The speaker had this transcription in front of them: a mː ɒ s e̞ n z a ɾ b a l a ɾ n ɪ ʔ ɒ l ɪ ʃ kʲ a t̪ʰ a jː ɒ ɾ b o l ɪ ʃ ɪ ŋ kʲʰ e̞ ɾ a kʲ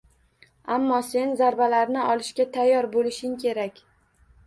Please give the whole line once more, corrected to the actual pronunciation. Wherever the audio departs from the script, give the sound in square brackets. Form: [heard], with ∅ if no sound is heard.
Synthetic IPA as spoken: a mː ɒ s e̞ n z a ɾ b a l a ɾ n ɪ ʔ ɒ l ɪ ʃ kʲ a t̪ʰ a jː ɒ ɾ b o l ɪ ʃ ɪ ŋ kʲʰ e̞ ɾ a kʲ